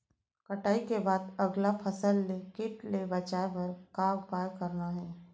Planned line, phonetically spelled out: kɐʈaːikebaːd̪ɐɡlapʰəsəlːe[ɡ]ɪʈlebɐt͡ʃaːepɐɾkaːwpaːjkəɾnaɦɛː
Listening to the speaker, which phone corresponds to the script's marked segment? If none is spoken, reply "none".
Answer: k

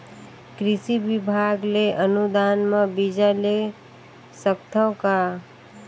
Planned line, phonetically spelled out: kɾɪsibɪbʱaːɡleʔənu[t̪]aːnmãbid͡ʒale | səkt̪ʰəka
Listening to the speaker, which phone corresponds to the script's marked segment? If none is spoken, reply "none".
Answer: d̪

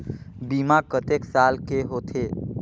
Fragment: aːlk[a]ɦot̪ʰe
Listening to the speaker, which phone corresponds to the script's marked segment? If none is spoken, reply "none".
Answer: e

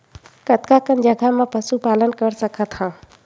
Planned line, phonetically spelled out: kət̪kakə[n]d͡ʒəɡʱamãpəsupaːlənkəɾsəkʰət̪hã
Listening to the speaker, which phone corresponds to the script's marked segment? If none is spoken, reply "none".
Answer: n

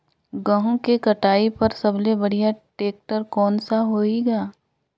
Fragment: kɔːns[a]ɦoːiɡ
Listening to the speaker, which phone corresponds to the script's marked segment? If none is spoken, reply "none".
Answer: a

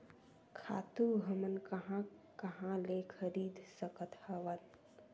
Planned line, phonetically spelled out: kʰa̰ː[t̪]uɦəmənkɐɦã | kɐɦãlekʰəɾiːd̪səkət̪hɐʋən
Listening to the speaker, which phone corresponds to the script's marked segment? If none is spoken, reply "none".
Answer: t̪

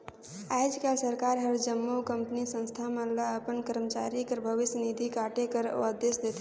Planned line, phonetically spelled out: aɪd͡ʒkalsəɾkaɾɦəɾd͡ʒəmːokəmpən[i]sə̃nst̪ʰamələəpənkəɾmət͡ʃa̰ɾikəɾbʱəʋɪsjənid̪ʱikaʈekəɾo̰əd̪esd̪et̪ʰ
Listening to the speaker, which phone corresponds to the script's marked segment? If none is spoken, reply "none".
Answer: i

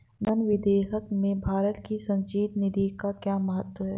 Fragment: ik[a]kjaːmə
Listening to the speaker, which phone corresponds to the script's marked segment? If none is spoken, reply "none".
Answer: a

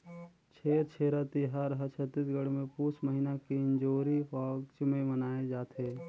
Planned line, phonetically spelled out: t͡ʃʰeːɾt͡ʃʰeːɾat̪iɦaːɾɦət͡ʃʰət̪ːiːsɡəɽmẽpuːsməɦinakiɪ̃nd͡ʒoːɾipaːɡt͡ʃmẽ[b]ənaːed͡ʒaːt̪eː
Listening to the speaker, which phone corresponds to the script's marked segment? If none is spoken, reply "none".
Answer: m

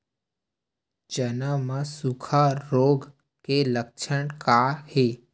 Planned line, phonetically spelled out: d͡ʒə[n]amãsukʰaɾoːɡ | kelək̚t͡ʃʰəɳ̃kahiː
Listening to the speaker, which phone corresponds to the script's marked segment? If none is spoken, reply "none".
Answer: n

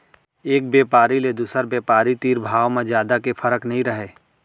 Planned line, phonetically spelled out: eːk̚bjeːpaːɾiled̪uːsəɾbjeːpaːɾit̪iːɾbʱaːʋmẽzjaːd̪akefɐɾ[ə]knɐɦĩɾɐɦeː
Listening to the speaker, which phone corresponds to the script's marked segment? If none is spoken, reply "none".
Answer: ə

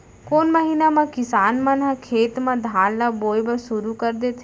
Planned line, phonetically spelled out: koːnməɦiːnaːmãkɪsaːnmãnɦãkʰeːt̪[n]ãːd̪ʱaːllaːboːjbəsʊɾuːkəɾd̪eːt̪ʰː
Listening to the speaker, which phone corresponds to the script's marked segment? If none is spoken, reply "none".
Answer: m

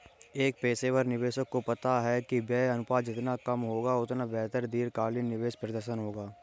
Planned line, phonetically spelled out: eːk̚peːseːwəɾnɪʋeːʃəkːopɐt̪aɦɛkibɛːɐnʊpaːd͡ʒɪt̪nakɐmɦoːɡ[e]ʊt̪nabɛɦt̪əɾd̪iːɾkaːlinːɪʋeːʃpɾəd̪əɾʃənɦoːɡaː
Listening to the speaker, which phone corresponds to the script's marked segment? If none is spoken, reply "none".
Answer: a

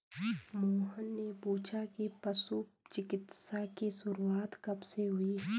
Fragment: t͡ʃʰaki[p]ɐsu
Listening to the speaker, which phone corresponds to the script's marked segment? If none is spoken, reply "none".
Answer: p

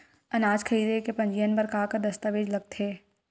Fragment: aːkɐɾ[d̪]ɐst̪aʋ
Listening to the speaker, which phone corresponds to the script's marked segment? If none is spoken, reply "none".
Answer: d̪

